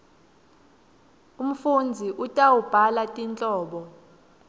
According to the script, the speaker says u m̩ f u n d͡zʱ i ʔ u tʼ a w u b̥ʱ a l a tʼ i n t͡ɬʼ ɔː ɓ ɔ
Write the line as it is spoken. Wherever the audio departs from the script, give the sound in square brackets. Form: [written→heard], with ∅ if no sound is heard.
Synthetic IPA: u m̩ f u n d͡zʱ i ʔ u tʼ a w u b̥ʱ a l a tʼ i n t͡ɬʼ ɔː ɓ ɔ